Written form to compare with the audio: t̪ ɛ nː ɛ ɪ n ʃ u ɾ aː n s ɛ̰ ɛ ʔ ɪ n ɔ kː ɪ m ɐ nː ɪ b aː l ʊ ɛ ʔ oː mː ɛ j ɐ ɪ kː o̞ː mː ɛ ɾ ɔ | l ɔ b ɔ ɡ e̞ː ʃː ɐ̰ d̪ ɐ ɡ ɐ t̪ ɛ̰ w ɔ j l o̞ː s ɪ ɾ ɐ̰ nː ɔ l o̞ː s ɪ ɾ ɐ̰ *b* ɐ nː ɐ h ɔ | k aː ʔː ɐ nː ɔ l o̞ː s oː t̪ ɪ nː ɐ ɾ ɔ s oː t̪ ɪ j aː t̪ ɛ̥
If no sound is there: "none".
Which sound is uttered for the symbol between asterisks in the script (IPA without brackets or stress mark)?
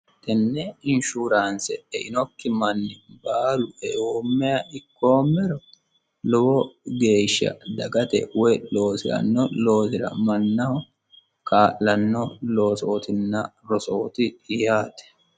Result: m